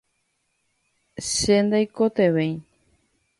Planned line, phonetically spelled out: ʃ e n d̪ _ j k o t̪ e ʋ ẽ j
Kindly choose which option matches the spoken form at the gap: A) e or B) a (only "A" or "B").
B